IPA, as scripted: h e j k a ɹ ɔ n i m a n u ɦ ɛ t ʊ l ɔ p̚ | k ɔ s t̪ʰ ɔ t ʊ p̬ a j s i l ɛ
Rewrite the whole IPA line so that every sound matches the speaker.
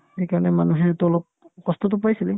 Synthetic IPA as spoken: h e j k a ɹ ɔ n ɛ m a n u ɦ ɛ t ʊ l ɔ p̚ | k ɔ s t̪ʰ ɔ t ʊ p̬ a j s i l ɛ